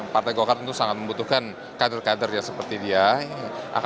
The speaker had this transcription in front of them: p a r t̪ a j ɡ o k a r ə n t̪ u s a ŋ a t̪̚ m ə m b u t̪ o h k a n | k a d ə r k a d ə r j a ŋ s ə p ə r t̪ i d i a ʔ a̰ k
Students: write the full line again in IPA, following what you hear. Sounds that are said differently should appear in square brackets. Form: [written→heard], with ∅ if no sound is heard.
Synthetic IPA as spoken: p a r t̪ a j ɡ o k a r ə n t̪ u s a ŋ a t̪̚ m ə m b u t̪ [o→u] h k a n | k a d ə r k a d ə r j a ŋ s ə p ə r t̪ i d i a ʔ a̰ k